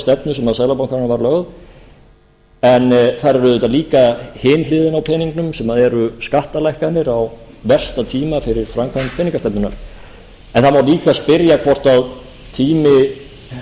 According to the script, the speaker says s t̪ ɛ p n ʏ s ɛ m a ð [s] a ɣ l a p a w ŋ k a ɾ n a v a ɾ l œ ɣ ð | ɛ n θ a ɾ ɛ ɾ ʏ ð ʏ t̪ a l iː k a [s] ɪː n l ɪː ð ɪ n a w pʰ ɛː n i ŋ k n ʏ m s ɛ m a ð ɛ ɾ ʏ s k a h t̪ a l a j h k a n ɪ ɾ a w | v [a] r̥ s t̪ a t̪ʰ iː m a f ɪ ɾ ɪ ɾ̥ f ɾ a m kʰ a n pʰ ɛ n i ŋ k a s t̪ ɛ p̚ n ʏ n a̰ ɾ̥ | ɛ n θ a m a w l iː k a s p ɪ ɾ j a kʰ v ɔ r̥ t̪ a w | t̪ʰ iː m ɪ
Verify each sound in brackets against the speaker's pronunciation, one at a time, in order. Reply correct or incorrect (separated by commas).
correct, incorrect, incorrect